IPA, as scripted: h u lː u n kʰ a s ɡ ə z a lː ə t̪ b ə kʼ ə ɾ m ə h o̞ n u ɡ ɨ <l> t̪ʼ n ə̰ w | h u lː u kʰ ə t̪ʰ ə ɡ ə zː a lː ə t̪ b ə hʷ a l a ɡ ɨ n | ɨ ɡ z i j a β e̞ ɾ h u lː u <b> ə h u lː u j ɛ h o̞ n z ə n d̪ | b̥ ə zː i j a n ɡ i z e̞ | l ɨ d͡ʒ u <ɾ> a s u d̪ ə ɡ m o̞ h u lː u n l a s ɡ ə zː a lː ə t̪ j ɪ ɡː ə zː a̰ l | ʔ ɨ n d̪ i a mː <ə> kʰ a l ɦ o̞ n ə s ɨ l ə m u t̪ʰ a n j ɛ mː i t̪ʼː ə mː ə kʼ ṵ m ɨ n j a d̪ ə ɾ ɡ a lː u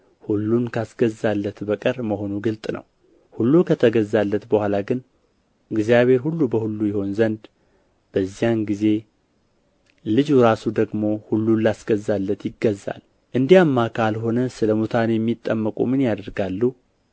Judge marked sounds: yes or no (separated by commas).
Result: yes, yes, yes, no